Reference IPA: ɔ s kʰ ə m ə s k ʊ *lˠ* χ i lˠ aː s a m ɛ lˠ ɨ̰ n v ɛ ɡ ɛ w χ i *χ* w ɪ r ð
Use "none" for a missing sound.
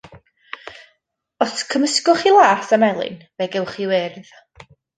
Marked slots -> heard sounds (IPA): none, none

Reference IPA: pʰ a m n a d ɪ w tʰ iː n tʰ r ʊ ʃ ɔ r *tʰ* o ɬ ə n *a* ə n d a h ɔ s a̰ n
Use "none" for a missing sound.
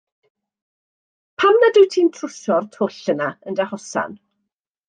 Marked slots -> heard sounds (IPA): tʰ, a

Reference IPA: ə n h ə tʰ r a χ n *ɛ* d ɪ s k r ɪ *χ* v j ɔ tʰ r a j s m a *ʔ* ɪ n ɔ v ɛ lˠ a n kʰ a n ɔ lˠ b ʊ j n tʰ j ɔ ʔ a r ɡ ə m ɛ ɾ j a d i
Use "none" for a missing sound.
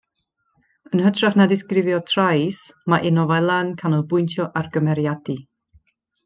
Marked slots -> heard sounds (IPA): a, none, ʔ

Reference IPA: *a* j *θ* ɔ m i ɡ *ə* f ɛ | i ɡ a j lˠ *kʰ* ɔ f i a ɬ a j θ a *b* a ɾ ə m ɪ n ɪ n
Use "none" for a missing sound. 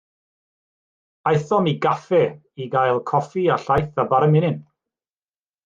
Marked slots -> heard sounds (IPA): a, θ, a, kʰ, b

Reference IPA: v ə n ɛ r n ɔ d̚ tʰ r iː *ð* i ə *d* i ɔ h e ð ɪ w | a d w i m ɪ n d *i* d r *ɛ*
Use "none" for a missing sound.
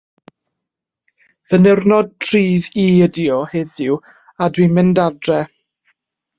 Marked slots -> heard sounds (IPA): ð, d, a, ɛ

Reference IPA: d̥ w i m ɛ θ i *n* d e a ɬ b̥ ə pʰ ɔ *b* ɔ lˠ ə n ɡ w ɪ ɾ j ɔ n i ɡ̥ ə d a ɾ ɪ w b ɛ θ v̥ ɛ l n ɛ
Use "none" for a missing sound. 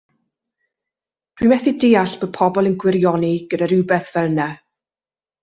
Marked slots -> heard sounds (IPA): none, b

